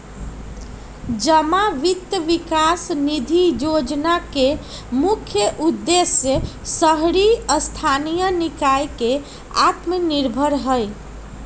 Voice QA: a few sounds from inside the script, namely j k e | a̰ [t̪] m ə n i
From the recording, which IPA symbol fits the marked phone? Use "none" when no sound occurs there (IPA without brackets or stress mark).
t̪